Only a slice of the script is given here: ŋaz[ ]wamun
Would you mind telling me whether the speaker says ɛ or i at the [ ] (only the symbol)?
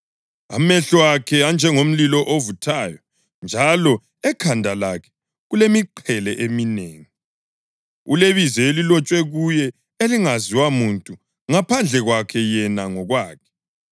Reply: i